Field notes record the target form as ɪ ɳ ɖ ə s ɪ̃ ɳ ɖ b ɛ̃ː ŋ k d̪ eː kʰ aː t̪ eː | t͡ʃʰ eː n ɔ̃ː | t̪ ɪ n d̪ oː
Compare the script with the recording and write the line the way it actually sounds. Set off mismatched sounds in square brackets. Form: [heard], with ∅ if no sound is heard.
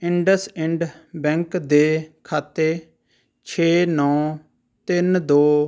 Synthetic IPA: ɪ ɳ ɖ ə s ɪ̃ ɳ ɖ b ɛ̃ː ŋ k d̪ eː kʰ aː t̪ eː | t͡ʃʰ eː n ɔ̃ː | t̪ ɪ n d̪ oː